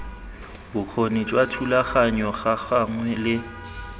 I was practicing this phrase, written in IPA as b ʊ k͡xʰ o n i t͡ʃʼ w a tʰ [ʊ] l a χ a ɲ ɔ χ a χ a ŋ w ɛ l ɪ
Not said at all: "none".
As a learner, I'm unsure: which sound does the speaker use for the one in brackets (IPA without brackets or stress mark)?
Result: u